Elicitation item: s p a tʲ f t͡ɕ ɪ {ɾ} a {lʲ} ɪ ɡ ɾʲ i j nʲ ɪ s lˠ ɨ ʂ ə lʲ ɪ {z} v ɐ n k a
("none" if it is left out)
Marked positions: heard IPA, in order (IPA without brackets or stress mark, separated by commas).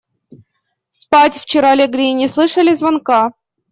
ɾ, lʲ, z